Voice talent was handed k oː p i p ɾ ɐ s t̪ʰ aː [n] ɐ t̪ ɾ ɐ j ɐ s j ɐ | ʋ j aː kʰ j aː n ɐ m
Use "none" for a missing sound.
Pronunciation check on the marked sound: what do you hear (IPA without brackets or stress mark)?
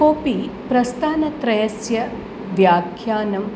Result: n